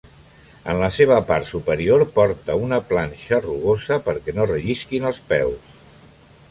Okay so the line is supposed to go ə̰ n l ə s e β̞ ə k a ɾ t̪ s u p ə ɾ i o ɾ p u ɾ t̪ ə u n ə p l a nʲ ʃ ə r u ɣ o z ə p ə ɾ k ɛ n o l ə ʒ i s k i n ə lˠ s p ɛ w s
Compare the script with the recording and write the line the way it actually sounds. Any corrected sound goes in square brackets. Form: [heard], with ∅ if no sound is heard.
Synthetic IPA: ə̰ n l ə s e β̞ ə [p] a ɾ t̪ s u p ə ɾ i o ɾ p [ɔ] ɾ t̪ ə u n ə p l a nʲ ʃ ə r u ɣ o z ə p ə ɾ k ɛ n o [r] ə ʒ i s k i n ə lˠ s p ɛ w s